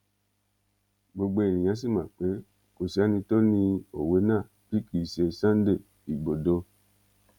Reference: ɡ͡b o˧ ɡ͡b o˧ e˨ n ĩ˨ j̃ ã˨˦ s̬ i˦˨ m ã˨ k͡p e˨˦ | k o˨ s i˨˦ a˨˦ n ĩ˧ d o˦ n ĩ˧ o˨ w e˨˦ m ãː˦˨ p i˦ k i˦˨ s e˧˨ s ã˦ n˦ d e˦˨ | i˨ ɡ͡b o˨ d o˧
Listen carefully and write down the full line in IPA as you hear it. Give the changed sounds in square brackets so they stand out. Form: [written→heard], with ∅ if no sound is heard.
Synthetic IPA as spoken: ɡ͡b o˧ ɡ͡b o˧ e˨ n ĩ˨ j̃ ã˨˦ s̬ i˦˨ m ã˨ k͡p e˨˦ | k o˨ s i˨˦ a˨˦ n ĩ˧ [d→t] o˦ n ĩ˧ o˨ w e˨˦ [m→n] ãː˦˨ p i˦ k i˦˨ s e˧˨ s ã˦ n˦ d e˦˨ | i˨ ɡ͡b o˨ d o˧

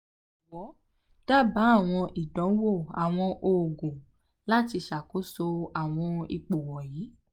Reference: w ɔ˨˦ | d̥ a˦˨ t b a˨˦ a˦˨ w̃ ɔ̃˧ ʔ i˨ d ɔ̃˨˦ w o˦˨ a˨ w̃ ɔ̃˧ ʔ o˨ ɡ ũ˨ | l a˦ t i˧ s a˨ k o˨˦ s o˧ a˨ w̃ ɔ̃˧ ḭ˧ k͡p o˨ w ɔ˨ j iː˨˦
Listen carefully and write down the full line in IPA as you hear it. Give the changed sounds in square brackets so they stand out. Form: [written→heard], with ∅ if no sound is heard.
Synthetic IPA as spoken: w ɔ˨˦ | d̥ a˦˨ [t→∅] b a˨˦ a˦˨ w̃ ɔ̃˧ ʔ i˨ d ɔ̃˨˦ w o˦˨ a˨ w̃ ɔ̃˧ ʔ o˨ ɡ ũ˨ | l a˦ t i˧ [s→ʃ] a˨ k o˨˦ s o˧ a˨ w̃ ɔ̃˧ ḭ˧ k͡p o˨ w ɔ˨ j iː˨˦

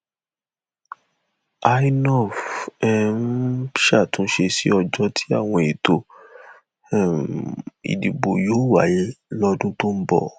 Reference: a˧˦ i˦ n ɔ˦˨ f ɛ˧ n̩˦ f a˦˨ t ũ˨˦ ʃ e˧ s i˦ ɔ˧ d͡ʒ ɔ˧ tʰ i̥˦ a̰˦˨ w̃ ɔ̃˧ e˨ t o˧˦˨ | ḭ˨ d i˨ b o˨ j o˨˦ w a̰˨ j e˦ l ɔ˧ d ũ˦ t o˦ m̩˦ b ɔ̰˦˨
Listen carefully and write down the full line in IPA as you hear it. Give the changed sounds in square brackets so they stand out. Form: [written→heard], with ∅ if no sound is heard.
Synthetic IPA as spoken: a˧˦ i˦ n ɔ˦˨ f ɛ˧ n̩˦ [f→ʃ] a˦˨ t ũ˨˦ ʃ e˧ s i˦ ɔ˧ d͡ʒ ɔ˧ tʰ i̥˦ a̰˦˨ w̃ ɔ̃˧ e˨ t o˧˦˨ | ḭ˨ d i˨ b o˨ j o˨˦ w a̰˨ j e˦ l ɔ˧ d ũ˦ t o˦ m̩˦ b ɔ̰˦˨

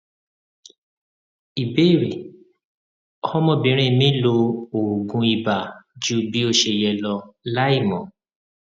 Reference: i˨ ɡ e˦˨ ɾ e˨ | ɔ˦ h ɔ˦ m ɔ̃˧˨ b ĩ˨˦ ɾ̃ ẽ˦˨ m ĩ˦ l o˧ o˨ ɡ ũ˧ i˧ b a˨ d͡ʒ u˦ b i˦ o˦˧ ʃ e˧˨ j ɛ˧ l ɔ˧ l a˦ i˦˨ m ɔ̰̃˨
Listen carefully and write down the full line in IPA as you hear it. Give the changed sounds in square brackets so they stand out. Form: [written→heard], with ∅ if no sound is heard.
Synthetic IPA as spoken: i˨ [ɡ→b] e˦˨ ɾ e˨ | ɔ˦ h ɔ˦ m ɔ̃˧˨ b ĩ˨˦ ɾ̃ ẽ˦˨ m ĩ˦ l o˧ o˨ ɡ ũ˧ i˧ b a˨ d͡ʒ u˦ b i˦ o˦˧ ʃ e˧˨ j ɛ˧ l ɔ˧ l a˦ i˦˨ m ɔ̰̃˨

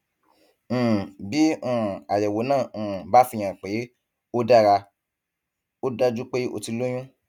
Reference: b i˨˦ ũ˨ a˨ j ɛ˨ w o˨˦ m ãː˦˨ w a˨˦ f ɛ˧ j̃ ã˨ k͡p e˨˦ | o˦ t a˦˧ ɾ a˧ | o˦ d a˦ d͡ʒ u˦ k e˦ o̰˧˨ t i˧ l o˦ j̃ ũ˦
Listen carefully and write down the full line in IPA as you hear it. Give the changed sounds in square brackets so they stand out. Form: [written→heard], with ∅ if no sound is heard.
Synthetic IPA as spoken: b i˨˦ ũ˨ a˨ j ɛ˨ w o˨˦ [m→n] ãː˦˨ [w→b] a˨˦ f [ɛ˧→i˧] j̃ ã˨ k͡p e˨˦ | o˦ [t→d] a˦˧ ɾ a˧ | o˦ d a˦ d͡ʒ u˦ [k→k͡p] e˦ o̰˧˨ t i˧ l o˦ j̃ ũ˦

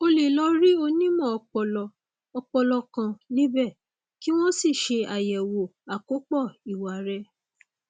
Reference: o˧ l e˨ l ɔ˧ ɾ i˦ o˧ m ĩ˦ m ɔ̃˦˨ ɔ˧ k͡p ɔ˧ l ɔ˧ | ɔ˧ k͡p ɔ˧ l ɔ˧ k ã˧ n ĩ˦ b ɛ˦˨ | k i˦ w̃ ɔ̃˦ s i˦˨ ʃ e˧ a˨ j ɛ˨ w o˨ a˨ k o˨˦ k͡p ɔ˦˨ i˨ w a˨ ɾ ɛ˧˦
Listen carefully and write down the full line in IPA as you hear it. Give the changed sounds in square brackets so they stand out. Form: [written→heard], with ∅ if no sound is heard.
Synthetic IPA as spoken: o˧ l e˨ l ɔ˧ ɾ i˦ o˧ [m→n] ĩ˦ m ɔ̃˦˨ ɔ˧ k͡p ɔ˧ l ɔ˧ | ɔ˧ k͡p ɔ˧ l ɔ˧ k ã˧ n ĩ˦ b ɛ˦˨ | k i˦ w̃ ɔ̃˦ s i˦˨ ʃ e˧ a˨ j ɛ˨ w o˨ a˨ k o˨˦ k͡p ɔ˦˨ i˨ w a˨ ɾ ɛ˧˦

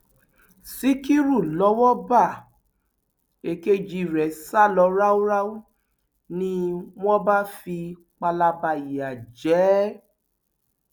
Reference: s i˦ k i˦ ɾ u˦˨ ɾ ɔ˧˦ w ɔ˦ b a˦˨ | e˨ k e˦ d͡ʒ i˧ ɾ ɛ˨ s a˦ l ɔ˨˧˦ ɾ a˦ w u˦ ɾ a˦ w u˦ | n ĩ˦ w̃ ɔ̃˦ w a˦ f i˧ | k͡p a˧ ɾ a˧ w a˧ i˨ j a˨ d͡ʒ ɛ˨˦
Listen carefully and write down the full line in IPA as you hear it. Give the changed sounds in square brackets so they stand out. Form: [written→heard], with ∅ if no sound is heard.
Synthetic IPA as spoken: s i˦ k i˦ ɾ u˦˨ [ɾ→l] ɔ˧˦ w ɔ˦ b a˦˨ | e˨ k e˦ d͡ʒ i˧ ɾ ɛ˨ s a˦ l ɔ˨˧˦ ɾ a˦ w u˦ ɾ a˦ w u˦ | n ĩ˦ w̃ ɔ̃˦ [w→b] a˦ f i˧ | k͡p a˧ [ɾ→l] a˧ [w→b] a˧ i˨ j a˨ d͡ʒ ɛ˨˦

